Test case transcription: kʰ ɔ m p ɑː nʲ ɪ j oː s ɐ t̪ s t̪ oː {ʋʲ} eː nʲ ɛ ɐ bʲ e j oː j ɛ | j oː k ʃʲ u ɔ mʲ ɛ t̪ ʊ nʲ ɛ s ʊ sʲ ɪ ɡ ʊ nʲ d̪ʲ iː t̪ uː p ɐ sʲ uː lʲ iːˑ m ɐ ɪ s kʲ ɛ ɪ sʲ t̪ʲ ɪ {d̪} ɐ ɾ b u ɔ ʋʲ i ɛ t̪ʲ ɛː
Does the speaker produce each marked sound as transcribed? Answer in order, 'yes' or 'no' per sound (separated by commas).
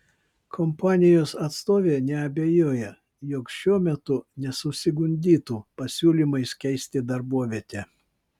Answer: yes, yes